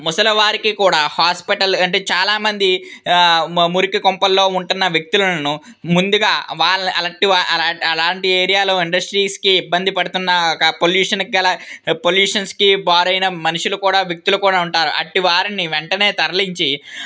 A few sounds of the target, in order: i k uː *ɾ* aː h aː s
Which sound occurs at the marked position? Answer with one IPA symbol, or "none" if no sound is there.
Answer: ɽ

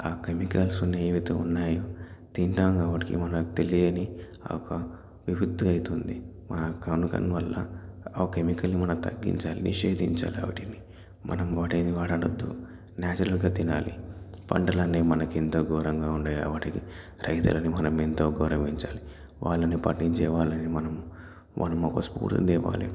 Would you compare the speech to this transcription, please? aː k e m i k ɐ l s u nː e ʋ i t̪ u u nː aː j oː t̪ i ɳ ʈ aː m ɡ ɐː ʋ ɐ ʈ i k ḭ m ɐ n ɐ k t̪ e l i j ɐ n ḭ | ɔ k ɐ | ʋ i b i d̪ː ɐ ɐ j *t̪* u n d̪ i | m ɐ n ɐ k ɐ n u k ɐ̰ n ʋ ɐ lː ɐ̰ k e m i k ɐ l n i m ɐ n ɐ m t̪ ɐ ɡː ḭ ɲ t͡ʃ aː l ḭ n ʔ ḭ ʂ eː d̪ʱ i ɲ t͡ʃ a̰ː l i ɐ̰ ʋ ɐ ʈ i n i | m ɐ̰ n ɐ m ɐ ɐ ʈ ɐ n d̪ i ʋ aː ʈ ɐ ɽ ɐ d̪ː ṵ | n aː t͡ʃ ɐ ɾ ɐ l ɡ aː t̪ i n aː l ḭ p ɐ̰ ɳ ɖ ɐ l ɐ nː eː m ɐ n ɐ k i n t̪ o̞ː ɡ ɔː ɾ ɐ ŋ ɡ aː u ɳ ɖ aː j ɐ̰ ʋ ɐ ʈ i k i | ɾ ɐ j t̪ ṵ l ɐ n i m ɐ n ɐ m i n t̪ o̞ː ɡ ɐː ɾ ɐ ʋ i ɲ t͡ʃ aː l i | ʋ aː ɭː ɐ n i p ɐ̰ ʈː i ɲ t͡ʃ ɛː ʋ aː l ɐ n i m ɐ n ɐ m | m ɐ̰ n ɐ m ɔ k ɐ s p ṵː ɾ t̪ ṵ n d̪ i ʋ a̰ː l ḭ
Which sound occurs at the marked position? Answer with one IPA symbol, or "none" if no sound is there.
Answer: t̪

